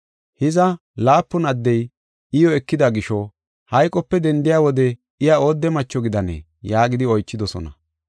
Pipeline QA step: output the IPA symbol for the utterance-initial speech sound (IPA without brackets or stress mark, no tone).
h